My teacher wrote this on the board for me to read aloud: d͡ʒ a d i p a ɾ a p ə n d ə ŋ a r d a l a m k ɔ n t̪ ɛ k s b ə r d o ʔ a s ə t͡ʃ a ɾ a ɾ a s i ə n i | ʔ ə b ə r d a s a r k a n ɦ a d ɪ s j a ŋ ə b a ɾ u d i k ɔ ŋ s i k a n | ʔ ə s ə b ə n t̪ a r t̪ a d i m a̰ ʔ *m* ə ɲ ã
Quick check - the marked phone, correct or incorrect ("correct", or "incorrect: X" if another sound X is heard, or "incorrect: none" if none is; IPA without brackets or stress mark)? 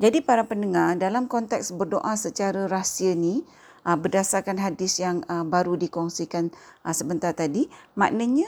incorrect: n